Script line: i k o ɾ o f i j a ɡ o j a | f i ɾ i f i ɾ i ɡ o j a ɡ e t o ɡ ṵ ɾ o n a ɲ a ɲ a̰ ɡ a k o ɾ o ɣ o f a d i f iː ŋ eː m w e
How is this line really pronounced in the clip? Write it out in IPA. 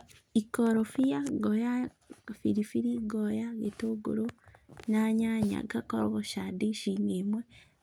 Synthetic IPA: i k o ɾ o f i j a ɡ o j a | f i ɾ i f i ɾ i ɡ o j a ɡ e t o ɡ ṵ ɾ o n a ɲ a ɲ a̰ ɡ a k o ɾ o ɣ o ʃ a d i ʃ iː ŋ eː m w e